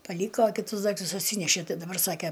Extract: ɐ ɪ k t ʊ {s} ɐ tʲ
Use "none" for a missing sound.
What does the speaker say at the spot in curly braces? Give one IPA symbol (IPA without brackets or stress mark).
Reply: s